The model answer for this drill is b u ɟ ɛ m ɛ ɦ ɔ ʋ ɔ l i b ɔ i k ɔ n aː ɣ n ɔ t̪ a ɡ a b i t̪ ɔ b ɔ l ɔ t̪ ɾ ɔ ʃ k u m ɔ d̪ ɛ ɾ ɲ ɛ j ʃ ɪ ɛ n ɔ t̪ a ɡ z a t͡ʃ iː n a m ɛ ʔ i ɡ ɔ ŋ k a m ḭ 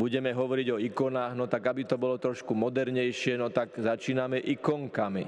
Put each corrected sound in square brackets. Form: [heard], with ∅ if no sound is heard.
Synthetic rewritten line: b u ɟ ɛ m ɛ ɦ ɔ ʋ ɔ [ɾ] i [ɟ] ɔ i k ɔ n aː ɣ n ɔ t̪ a ɡ a b i t̪ ɔ b ɔ l ɔ t̪ ɾ ɔ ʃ k u m ɔ d̪ ɛ ɾ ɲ ɛ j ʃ ɪ ɛ n ɔ t̪ a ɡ z a t͡ʃ iː n a m ɛ ʔ i [k] ɔ ŋ k a m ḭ